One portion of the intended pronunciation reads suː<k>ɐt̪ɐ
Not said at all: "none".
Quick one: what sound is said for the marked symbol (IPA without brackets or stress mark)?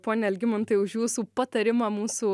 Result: p